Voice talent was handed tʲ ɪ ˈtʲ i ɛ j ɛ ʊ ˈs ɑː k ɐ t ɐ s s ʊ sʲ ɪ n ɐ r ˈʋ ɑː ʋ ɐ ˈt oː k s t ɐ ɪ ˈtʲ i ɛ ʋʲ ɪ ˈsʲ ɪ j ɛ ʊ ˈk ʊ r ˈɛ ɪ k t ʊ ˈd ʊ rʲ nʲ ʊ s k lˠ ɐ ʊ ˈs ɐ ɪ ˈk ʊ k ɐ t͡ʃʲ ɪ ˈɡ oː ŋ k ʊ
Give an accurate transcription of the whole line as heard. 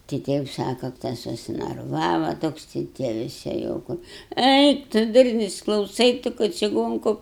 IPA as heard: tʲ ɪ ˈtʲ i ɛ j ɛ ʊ ˈs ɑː k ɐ t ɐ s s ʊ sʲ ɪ n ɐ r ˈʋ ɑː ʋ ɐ ˈt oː k s t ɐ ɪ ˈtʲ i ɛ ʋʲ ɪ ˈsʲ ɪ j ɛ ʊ ˈk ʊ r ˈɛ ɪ k t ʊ ˈd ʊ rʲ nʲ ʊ s k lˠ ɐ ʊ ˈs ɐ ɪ ˈt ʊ k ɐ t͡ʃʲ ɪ ˈɡ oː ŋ k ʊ